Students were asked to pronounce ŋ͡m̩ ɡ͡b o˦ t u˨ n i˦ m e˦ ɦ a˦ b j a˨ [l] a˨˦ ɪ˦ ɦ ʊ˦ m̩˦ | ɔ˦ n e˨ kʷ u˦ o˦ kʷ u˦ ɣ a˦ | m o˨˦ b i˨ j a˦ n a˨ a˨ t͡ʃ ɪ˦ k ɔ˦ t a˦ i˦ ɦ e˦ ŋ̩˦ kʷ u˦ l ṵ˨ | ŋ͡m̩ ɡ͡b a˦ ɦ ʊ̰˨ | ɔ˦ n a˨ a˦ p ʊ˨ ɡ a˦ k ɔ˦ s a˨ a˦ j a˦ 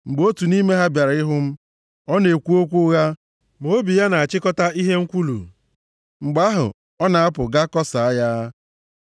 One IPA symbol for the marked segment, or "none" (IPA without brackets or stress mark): ɾ